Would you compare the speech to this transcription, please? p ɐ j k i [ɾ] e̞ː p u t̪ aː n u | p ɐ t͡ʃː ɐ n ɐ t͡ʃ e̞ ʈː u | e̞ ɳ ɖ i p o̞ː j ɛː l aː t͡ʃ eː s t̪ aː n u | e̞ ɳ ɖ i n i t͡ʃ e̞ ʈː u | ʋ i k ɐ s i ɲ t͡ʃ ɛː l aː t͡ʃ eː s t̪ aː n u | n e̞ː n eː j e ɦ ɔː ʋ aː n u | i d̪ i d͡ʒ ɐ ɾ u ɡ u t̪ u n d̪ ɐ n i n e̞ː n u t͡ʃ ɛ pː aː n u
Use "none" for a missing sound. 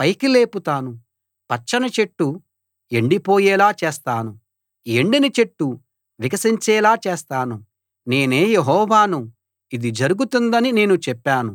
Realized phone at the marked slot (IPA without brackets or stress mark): l